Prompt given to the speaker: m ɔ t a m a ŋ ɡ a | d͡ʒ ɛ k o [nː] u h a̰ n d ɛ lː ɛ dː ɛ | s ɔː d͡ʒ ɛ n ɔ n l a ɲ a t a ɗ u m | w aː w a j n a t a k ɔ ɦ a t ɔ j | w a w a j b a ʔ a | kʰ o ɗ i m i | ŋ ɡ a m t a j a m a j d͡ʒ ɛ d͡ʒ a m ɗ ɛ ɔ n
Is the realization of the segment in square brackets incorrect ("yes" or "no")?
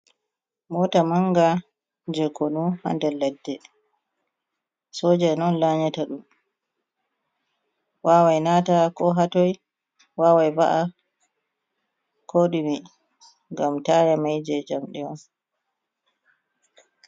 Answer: yes